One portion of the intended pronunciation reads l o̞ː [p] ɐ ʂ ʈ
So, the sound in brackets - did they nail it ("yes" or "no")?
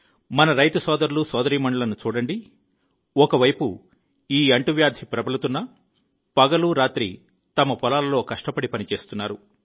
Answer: no